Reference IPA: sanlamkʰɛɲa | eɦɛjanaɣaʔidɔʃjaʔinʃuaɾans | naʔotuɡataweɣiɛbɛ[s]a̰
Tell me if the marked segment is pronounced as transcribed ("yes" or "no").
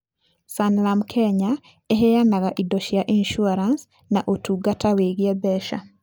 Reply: no